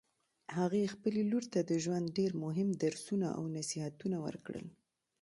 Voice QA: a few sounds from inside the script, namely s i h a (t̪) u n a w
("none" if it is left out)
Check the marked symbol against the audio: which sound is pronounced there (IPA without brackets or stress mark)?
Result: t̪